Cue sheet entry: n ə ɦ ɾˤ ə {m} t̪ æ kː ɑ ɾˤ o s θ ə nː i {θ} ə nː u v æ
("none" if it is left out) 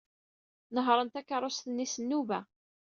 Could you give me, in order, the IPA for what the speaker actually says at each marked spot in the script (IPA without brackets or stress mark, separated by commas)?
n, s